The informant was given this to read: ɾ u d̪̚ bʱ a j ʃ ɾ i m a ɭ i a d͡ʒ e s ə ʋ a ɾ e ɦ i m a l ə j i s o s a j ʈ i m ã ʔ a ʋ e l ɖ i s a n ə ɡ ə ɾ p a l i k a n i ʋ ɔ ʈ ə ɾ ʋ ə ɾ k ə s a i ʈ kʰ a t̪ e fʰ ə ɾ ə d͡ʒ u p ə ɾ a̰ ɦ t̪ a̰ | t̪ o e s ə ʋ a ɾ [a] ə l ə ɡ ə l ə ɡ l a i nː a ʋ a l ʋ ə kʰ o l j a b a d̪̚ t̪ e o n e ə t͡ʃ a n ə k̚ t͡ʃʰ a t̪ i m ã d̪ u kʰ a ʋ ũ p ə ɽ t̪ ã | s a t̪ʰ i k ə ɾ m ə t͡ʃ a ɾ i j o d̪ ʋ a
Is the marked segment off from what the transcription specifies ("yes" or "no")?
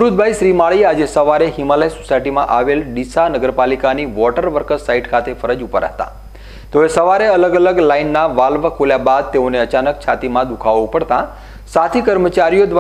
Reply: yes